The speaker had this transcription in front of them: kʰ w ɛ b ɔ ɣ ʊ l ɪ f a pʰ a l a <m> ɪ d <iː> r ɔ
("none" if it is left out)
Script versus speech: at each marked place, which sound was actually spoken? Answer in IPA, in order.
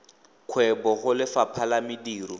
m, iː

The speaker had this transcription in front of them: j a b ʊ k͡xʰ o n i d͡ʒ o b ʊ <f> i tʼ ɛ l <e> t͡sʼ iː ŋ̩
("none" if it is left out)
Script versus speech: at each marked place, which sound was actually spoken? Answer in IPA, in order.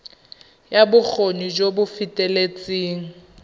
f, e

